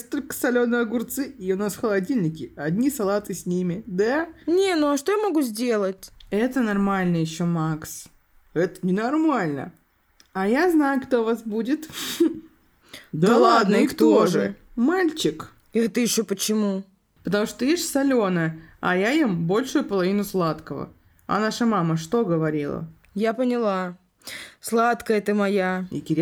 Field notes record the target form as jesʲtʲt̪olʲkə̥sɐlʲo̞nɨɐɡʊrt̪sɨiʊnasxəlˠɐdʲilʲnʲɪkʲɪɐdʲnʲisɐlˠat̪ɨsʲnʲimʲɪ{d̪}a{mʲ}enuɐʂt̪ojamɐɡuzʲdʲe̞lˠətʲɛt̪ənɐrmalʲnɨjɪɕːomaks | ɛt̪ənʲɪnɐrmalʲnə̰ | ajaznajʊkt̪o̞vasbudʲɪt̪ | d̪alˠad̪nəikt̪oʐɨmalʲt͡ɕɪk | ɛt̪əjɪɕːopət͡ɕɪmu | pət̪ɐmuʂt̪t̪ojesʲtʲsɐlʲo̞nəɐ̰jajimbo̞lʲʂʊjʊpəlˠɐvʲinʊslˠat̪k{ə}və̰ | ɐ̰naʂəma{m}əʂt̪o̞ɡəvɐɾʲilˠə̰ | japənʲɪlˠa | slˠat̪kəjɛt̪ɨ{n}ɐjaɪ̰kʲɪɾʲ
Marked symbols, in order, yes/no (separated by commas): yes, no, yes, yes, no